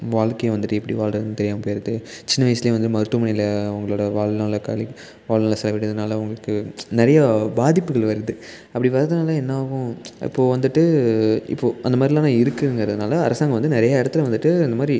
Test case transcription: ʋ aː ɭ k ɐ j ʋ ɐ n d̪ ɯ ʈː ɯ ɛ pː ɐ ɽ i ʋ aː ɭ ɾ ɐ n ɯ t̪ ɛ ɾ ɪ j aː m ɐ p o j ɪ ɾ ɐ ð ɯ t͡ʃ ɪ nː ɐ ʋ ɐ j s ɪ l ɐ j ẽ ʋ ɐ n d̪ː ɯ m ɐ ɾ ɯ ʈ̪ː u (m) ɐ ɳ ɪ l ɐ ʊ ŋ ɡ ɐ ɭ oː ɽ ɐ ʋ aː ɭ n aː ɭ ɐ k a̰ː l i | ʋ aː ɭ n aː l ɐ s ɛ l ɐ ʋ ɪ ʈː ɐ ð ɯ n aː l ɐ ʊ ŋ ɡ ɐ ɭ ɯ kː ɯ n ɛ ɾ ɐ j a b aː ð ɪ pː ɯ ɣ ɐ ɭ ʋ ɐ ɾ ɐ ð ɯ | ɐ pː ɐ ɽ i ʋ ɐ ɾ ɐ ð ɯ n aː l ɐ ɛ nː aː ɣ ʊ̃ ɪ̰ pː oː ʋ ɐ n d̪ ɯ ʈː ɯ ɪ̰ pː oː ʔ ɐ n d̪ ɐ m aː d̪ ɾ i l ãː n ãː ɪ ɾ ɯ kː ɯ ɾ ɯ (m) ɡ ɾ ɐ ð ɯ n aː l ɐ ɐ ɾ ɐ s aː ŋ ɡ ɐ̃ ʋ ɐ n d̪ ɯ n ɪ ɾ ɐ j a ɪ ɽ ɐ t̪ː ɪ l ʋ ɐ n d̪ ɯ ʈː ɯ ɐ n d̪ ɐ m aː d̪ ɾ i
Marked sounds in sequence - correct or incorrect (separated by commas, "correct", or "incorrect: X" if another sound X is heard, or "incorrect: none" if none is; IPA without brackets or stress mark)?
correct, incorrect: ŋ